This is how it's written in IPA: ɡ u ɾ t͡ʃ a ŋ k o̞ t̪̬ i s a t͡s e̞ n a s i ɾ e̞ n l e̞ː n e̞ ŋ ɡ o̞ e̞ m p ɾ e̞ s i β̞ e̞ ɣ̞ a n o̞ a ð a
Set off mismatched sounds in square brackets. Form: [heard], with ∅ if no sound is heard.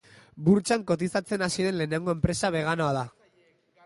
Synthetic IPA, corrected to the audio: [b] u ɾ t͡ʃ a ŋ k o̞ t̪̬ i s a t͡s e̞ n a s i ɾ e̞ n l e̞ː n e̞ ŋ ɡ o̞ e̞ m p ɾ e̞ s [a] β̞ e̞ ɣ̞ a n o̞ a ð a